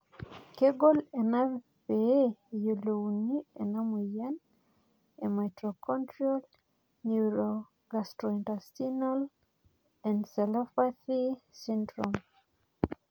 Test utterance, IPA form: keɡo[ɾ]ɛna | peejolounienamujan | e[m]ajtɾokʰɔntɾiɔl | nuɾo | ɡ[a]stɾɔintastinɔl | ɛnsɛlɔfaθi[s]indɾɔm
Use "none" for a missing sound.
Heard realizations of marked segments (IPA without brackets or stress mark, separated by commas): l, m, a, s